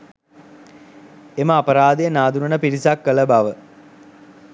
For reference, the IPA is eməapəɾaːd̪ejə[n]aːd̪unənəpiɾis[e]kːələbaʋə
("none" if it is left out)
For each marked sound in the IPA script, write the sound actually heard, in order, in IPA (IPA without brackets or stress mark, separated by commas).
n, a